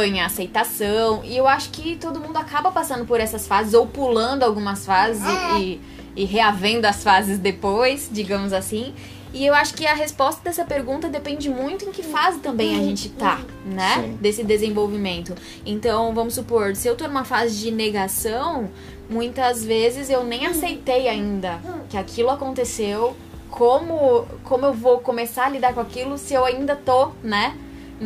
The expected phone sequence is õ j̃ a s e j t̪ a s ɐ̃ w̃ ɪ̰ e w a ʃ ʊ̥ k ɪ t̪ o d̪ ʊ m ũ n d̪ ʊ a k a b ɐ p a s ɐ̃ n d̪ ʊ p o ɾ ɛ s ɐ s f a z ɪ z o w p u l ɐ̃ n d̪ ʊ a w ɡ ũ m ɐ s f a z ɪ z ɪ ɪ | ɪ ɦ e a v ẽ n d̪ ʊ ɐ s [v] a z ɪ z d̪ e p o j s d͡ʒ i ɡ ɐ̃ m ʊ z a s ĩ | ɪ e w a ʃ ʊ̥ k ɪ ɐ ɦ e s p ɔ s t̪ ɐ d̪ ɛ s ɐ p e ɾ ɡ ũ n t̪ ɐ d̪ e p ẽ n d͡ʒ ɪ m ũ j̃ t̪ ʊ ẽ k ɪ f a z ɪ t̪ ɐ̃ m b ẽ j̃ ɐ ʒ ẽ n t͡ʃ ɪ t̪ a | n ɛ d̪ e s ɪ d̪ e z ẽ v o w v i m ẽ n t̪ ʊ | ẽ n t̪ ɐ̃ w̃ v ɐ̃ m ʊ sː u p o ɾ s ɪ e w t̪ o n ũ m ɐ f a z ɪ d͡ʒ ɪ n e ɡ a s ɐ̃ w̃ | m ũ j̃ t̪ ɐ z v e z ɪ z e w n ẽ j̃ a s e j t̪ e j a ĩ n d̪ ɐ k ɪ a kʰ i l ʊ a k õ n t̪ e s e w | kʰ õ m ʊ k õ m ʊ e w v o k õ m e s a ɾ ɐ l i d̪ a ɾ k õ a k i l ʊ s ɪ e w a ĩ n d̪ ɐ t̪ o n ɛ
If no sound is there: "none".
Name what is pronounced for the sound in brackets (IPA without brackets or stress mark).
f